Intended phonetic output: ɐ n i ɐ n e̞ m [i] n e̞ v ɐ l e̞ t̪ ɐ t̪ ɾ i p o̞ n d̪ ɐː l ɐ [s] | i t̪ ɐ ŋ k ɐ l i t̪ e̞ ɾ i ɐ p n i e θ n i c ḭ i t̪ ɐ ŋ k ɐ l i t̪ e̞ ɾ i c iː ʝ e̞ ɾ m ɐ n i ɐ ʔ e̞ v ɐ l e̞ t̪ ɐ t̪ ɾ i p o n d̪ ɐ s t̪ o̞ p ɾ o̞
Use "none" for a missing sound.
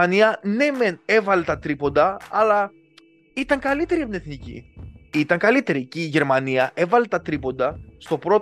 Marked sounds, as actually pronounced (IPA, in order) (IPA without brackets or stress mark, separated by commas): e, none